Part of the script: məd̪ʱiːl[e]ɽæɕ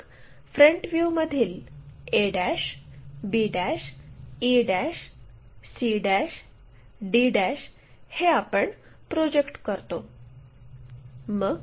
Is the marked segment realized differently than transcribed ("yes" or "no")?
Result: no